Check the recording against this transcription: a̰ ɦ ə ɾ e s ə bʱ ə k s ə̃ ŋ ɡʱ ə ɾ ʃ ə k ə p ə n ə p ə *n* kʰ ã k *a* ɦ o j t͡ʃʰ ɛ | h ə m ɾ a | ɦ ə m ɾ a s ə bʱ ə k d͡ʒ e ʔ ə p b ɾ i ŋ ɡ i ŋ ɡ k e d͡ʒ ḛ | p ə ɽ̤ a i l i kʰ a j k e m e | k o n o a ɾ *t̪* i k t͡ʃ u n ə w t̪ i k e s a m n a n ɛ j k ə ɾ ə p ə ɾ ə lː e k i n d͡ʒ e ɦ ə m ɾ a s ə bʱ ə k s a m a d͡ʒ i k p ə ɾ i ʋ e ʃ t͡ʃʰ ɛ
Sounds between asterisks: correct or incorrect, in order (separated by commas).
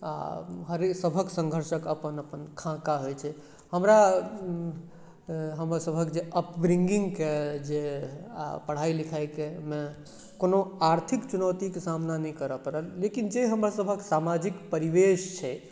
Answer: correct, correct, incorrect